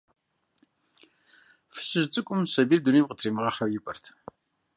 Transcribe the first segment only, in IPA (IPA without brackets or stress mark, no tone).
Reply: f